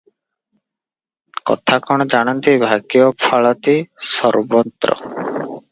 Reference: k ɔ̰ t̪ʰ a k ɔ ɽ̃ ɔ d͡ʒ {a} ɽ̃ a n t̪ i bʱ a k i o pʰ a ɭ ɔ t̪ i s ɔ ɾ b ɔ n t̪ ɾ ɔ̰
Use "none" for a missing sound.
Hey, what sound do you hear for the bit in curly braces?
a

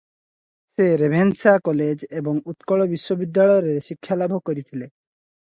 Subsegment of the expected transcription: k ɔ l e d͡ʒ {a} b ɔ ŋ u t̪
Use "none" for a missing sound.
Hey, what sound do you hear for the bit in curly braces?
e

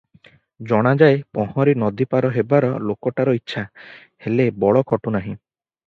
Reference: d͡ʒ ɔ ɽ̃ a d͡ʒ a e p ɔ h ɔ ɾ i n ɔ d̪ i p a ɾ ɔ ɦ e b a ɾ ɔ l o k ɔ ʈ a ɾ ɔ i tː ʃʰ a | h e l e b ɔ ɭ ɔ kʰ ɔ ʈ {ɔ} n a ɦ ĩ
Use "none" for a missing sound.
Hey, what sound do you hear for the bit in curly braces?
u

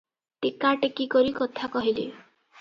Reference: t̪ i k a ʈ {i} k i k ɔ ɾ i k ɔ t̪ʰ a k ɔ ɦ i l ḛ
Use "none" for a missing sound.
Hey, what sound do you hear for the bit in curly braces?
e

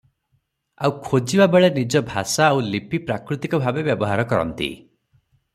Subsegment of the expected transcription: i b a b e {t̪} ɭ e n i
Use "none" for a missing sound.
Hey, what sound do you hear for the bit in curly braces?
none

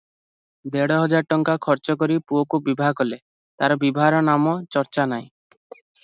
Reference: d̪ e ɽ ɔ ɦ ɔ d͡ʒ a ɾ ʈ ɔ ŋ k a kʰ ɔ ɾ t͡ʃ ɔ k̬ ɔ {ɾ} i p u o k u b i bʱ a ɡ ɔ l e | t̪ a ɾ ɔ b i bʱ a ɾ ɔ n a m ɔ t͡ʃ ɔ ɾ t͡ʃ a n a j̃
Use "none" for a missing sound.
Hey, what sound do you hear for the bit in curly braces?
ɾ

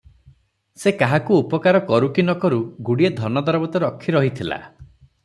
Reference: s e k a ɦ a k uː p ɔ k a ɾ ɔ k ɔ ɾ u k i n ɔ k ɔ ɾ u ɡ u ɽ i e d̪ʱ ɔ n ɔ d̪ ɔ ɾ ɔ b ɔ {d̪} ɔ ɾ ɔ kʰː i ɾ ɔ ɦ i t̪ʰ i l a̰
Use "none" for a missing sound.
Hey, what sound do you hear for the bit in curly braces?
t̪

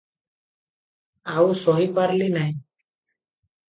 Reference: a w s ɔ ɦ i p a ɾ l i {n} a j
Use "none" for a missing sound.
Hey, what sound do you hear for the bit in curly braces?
n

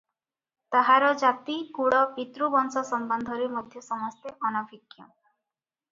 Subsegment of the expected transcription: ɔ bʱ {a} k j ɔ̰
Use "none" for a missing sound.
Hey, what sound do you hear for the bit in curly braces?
i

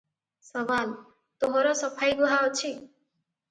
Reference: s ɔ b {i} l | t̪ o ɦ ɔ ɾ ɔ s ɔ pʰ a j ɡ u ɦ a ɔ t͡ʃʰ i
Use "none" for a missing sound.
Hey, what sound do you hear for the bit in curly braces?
a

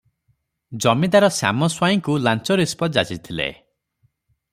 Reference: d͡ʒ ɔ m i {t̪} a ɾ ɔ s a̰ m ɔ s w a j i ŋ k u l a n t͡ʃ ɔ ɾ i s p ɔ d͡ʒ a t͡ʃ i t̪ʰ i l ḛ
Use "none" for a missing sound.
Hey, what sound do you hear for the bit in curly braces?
d̪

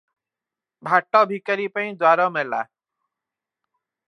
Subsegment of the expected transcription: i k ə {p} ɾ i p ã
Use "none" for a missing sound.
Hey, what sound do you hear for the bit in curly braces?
none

